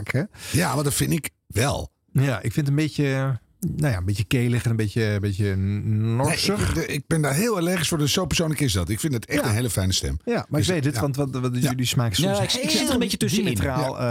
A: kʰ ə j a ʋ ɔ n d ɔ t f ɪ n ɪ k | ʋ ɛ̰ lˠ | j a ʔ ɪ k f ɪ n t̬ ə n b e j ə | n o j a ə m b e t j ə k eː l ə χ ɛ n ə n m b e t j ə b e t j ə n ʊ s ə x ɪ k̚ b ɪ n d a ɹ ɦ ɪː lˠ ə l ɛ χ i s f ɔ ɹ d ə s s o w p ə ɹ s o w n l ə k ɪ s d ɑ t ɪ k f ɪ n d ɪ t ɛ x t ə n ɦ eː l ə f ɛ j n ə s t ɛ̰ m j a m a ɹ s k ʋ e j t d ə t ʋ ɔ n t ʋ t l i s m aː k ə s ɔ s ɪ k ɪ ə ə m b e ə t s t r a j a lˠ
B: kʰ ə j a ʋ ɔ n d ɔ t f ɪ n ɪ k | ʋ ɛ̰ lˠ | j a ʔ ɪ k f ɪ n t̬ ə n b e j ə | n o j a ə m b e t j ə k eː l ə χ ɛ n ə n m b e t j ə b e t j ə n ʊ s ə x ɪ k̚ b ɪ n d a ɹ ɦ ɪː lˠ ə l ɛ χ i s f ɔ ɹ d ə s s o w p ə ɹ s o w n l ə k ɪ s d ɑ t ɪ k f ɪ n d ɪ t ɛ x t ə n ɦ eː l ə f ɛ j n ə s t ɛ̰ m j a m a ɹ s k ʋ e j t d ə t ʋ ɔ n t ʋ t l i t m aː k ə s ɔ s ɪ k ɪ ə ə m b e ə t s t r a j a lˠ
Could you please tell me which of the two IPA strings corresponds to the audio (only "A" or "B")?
A